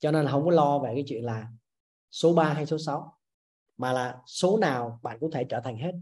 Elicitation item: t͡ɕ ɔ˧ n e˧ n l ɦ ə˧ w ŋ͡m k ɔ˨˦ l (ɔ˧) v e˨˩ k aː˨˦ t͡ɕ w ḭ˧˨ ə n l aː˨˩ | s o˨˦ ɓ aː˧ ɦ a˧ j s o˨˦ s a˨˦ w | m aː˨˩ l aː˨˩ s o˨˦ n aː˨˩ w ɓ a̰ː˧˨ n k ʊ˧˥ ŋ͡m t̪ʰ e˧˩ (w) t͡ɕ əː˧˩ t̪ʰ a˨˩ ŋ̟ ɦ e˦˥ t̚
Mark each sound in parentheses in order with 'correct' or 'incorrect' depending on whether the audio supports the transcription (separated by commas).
correct, incorrect